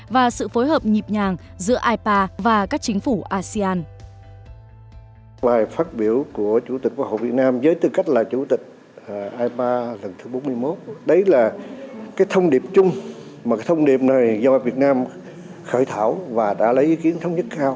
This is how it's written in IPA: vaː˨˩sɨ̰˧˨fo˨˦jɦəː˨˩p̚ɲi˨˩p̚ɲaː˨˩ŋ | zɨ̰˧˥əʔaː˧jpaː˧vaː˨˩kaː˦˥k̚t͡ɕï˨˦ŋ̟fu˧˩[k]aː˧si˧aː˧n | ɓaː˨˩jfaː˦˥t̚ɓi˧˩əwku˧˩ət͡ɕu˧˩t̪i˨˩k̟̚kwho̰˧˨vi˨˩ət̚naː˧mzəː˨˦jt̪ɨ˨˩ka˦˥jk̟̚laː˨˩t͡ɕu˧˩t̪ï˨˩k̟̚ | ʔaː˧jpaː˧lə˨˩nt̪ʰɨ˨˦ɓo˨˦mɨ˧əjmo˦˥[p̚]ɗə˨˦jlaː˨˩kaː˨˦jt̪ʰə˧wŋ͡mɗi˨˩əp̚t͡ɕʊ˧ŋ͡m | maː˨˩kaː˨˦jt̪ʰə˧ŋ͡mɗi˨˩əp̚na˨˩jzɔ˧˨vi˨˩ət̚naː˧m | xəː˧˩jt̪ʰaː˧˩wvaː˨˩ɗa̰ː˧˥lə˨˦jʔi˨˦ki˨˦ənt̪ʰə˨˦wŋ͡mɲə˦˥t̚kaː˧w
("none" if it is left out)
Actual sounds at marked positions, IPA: ʔ, t̚

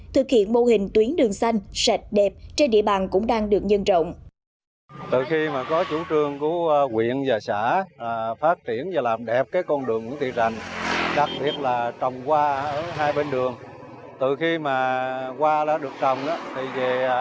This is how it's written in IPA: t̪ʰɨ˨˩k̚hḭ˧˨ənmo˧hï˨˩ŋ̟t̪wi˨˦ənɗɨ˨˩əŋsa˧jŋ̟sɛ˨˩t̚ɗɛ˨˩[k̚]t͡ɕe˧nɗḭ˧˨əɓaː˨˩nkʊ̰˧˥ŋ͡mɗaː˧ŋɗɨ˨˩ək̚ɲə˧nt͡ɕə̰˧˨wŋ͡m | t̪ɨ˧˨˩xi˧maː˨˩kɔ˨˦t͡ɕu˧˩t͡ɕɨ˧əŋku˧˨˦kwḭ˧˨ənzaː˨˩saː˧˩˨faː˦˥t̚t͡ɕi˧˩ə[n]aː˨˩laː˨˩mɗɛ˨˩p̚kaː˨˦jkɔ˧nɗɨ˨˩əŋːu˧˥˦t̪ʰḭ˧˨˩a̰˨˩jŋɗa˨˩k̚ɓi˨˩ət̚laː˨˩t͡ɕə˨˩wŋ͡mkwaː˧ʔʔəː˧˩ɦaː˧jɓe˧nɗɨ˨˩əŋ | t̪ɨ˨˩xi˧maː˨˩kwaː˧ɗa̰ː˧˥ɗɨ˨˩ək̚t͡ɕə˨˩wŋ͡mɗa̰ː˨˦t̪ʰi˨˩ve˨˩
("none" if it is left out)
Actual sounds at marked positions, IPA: p̚, n

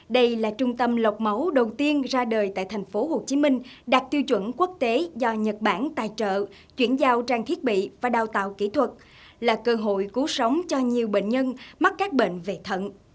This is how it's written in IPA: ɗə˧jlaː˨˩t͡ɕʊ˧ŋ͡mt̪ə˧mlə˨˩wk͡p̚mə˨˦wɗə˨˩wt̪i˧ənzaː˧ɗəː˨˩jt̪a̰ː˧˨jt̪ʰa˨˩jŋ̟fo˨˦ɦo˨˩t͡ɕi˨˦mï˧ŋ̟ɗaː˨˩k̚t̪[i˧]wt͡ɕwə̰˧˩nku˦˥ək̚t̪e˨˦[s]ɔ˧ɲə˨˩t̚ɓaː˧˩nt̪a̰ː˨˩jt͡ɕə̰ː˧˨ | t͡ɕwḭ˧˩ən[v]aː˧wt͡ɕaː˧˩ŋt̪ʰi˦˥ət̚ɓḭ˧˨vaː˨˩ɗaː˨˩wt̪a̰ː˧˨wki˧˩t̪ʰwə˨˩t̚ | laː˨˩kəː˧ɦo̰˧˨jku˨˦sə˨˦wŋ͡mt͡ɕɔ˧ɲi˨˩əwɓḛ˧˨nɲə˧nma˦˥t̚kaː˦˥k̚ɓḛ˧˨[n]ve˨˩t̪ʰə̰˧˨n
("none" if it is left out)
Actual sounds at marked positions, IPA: i˧, z, z, n

